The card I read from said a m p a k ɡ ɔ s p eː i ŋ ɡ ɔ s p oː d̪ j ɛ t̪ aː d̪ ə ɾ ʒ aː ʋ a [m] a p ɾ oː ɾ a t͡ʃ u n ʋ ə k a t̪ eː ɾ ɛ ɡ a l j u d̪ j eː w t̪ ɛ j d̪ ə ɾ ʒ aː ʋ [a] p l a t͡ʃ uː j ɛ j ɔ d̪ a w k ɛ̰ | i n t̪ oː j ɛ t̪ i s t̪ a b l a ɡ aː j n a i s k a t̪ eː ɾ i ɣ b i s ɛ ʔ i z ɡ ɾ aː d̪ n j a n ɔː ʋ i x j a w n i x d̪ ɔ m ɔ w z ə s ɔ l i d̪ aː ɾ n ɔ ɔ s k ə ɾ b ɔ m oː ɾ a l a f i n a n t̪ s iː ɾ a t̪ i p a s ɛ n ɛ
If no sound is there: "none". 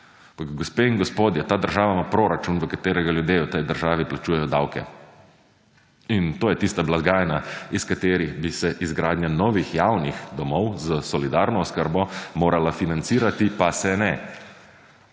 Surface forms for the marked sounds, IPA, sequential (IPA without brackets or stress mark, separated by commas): m, i